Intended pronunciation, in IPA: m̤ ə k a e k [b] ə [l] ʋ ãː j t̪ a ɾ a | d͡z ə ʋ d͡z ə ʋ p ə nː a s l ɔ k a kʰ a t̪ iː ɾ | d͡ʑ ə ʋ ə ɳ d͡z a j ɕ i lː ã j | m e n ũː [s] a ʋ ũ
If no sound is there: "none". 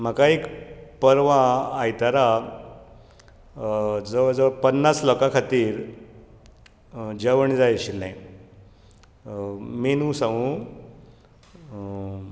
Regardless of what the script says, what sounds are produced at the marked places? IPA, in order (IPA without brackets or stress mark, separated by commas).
p, ɾ, s